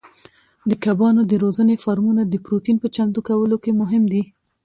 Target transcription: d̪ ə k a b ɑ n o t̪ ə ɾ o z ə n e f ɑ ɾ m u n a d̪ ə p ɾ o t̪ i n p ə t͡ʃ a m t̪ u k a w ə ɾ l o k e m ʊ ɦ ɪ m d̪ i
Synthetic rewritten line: d̪ ə k a b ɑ n o d̪ ə ɾ o z ə n e f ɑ ɾ m u n a d̪ ə p ɾ o t̪ i n p ə t͡ʃ a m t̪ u k a w ə l o k e m ʊ ɦ ɪ m d̪ i